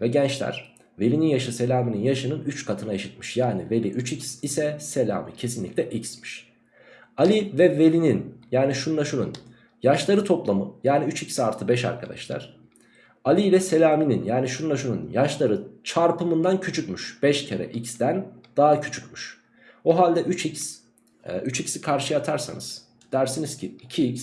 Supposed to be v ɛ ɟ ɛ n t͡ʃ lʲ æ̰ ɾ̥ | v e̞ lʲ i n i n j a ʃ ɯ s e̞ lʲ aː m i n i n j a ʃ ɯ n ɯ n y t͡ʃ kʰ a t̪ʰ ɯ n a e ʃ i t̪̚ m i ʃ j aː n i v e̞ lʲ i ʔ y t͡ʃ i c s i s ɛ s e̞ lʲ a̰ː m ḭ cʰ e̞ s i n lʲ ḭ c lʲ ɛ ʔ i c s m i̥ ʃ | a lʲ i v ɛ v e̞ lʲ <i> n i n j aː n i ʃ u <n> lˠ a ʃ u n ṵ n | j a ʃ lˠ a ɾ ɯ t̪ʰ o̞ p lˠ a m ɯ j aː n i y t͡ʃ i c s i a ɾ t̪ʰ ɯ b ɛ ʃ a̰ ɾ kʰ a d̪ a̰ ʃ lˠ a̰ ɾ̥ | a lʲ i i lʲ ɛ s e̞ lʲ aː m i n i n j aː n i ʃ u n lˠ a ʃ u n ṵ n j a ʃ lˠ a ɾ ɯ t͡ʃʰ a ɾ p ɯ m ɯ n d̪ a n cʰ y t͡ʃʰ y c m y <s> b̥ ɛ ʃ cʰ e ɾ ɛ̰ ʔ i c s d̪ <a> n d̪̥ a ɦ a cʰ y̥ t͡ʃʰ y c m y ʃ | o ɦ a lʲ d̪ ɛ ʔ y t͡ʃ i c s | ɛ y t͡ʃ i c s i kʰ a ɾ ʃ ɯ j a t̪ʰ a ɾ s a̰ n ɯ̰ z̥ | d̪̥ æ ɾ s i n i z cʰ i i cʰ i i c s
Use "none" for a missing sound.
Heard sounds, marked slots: i, n, ʃ, æ

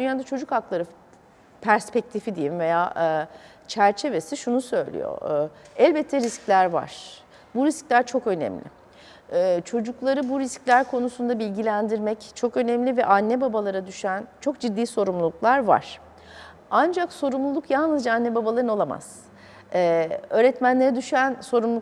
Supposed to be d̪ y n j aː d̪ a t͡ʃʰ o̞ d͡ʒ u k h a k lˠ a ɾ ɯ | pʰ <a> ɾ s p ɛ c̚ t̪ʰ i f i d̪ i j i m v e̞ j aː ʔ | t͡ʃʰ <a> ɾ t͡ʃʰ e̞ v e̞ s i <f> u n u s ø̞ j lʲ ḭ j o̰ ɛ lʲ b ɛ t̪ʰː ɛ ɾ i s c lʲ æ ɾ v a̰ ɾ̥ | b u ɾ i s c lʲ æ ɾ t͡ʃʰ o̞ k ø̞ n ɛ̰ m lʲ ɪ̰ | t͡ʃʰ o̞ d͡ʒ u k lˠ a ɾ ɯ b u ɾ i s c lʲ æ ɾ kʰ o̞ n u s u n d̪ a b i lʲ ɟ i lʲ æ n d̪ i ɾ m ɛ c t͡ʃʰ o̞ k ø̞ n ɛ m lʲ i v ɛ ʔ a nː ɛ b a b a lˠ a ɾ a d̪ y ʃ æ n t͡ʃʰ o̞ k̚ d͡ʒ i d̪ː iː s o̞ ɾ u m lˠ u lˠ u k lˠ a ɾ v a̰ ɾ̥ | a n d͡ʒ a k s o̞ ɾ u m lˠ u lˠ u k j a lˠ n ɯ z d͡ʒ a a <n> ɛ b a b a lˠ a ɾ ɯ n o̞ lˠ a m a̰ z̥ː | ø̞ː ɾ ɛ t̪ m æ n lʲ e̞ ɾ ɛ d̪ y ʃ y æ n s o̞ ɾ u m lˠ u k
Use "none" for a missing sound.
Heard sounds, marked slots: æ, æ, ʃ, nː

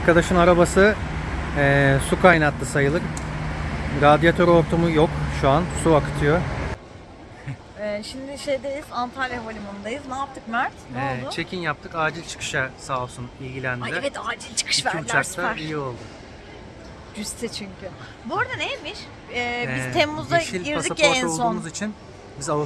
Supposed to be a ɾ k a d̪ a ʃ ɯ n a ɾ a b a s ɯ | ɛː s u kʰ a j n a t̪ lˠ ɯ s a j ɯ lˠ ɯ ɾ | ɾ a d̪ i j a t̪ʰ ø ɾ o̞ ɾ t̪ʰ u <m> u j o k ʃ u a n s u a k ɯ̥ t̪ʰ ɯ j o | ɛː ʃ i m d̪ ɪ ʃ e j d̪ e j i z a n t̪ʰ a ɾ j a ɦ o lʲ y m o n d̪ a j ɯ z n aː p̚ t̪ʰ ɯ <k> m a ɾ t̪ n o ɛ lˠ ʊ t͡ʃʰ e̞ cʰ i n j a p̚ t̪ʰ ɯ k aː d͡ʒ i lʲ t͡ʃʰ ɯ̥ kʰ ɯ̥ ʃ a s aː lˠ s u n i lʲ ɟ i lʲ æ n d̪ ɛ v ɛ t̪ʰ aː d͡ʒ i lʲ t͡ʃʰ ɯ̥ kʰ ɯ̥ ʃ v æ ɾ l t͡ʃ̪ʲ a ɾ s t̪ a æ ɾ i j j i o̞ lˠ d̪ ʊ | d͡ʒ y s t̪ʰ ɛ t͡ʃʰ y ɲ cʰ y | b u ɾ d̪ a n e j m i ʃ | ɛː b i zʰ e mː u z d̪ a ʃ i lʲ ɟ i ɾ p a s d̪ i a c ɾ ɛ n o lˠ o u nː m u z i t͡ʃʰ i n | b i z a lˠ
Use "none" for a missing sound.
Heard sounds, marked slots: m, k

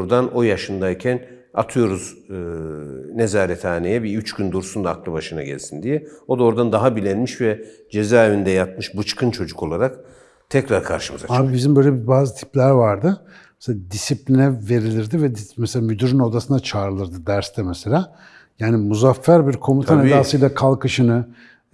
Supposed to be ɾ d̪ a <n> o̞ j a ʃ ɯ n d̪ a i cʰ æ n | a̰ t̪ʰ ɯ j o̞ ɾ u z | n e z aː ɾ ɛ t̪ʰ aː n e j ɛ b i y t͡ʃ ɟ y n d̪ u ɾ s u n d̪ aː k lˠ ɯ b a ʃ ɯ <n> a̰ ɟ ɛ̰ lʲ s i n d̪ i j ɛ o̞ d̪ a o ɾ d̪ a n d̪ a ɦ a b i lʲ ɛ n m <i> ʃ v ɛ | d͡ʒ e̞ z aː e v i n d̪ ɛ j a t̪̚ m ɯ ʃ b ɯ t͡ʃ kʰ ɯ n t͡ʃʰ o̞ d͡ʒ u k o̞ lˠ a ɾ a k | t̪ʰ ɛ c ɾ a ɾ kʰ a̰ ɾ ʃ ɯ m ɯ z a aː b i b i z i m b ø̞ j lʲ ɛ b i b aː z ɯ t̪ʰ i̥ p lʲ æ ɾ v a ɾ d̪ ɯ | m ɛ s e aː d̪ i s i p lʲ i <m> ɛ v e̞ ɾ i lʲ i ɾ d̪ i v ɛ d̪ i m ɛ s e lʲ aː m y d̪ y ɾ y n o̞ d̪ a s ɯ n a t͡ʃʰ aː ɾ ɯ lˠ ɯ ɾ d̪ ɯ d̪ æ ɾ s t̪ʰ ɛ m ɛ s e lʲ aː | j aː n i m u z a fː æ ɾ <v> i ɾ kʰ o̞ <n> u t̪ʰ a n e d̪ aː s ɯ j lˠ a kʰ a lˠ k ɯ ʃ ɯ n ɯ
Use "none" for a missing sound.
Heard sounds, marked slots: n, n, i, n, b, m

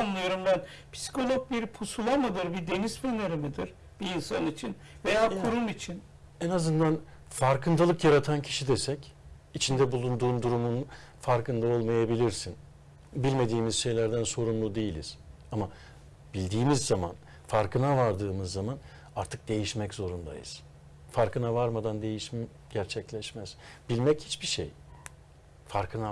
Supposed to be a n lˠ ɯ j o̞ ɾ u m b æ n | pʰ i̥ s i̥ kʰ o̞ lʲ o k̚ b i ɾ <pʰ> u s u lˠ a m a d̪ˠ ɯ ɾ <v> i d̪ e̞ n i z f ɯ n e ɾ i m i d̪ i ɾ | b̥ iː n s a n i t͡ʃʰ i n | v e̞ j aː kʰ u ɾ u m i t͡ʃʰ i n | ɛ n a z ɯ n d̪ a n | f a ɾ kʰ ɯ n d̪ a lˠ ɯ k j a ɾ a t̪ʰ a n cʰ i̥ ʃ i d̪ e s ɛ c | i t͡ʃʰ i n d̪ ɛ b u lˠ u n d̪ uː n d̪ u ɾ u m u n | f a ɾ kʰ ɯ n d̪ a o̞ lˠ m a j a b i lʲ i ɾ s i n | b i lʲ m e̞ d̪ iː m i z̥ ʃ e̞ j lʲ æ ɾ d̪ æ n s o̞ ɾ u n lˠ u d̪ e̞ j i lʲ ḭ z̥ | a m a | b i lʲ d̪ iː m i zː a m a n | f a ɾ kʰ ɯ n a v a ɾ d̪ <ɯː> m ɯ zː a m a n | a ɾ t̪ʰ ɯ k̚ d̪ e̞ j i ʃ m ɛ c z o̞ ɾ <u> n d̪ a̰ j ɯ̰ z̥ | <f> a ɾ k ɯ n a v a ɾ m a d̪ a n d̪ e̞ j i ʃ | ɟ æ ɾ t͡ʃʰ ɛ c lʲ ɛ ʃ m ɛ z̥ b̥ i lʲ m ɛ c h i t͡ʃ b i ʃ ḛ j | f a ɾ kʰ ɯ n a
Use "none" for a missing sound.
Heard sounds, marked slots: pʰ, b, ɯː, u, f

